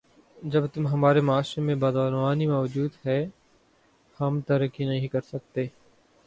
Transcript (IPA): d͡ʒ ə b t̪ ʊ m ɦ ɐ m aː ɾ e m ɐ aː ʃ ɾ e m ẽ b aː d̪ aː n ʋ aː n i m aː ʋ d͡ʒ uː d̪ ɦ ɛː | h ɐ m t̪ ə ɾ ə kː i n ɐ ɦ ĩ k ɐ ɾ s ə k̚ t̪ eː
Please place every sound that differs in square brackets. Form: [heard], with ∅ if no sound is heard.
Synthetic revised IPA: d͡ʒ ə b t̪ ʊ m ɦ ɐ m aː ɾ e m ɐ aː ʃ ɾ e m ẽ b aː d̪ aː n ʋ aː n i m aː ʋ d͡ʒ uː d̪ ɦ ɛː | h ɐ m t̪ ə ɾ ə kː i n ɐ ɦ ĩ k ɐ ɾ s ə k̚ t̪ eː